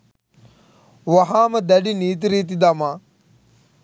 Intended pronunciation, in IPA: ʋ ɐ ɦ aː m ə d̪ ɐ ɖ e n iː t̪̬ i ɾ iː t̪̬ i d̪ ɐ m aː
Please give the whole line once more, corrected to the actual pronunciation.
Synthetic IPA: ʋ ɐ ɦ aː m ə d̪ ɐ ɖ i n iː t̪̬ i ɾ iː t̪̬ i d̪ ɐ m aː